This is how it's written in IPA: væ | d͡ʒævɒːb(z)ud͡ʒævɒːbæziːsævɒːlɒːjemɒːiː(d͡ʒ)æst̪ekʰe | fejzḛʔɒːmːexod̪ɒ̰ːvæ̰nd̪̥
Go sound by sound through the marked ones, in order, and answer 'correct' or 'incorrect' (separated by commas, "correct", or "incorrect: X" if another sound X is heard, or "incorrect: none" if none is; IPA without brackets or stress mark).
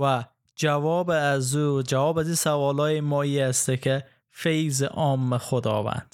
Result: correct, incorrect: none